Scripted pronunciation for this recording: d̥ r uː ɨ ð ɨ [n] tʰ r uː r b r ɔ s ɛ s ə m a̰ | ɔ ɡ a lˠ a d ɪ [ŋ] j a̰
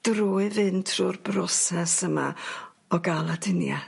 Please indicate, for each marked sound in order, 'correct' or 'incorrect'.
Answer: correct, incorrect: n

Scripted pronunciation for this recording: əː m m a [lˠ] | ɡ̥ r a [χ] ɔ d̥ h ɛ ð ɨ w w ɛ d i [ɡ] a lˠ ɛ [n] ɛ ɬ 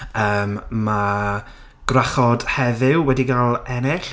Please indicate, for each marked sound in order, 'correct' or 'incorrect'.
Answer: incorrect: none, correct, correct, correct

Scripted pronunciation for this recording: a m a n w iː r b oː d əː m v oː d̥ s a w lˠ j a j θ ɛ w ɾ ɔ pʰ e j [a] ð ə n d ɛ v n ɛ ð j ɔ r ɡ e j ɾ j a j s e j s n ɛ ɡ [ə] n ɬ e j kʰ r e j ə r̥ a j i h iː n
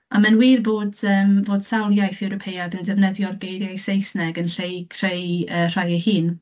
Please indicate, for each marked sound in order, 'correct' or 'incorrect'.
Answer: correct, correct

